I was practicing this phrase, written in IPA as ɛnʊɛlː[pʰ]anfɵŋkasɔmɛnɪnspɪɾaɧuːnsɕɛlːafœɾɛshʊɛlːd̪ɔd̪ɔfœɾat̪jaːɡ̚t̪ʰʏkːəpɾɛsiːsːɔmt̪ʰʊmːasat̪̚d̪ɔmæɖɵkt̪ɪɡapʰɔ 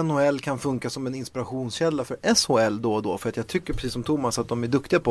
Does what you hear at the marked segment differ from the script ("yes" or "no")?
yes